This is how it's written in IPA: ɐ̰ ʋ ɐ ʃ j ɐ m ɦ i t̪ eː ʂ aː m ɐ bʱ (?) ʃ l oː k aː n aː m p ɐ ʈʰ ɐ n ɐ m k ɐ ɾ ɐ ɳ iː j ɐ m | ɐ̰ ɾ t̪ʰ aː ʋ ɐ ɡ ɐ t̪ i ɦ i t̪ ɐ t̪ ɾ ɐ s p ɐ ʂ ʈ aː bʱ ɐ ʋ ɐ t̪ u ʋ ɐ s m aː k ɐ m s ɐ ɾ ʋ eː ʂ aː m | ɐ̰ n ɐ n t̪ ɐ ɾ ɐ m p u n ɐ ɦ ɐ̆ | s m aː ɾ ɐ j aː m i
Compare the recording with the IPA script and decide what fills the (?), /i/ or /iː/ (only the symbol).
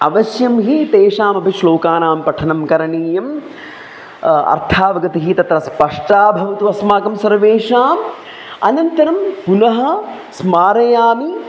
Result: i